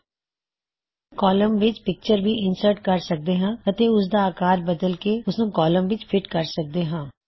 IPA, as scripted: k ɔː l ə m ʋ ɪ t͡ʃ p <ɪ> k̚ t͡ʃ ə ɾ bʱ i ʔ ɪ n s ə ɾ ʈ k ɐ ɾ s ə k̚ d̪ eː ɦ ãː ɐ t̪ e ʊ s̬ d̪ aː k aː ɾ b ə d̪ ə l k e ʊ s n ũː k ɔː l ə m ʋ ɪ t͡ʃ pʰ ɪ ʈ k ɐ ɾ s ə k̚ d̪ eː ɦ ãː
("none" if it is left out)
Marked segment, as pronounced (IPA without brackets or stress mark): ɪ